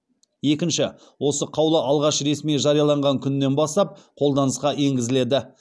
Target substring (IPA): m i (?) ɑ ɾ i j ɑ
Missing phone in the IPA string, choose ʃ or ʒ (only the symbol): ʒ